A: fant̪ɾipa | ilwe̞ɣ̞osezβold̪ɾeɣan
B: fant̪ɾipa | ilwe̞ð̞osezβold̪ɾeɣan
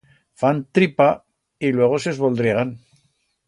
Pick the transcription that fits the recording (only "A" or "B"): A